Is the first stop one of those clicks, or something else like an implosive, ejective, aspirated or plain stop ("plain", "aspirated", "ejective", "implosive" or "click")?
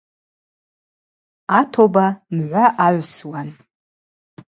aspirated